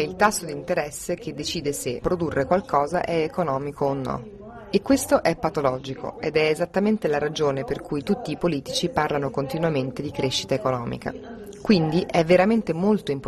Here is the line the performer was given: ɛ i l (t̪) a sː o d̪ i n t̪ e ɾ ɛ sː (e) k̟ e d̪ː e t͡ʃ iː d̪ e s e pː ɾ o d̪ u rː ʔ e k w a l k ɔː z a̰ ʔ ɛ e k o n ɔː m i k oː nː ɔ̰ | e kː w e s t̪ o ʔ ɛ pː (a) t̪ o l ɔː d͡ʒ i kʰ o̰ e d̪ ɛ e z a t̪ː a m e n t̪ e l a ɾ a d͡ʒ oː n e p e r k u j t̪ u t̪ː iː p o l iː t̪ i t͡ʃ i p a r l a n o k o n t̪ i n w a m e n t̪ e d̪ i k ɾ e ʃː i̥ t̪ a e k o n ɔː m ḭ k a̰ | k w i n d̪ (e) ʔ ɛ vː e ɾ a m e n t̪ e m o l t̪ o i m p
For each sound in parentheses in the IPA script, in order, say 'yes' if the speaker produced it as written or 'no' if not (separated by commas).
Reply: yes, yes, yes, no